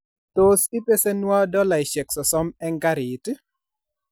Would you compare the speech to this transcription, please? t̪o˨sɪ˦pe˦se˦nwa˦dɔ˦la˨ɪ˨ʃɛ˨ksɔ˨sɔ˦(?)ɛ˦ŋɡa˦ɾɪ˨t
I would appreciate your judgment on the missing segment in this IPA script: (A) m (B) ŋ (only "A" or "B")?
A